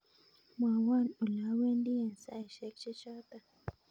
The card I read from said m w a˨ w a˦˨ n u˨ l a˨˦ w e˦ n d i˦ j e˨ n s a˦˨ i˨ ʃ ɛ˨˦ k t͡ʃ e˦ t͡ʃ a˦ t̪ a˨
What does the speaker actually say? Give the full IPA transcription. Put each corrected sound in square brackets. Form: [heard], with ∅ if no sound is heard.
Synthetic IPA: m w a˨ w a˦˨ n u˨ l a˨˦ w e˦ n d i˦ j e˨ n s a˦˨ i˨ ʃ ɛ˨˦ k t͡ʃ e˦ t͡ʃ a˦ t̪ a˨

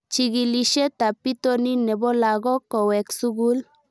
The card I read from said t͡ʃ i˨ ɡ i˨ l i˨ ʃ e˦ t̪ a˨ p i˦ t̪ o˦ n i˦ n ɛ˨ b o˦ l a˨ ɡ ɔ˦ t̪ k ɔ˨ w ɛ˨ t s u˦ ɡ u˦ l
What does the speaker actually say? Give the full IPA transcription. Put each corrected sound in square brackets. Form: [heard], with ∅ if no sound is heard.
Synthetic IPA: t͡ʃ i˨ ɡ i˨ l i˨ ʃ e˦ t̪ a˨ p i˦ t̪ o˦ n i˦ n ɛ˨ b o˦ l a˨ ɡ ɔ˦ [∅] k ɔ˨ w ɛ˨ [k] s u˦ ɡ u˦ l

